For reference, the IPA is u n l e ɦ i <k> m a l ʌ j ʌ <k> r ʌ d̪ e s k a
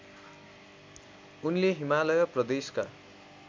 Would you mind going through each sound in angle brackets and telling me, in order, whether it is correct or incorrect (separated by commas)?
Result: incorrect, incorrect